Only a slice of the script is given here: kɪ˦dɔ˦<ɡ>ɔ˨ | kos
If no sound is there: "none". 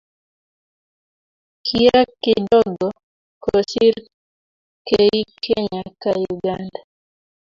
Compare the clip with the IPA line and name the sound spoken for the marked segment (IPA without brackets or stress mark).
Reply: ɡ